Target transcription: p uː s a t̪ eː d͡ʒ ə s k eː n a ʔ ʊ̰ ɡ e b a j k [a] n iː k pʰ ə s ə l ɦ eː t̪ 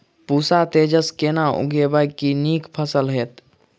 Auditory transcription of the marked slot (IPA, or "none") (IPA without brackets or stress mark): i